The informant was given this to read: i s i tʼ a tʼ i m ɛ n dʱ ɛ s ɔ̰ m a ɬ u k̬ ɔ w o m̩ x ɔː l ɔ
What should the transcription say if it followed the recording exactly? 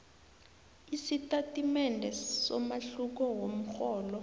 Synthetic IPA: i s i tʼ a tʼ i m ɛ n dʱ ɛ s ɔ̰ m a ɬ u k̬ ɔ w o m̩ x ɔː l ɔ